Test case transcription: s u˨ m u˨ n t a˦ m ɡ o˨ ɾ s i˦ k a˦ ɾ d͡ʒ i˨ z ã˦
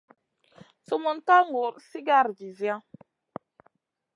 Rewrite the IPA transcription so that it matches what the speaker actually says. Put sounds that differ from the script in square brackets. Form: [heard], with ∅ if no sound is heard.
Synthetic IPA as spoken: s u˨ m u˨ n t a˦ [ŋ] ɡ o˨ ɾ s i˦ [ɡ] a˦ ɾ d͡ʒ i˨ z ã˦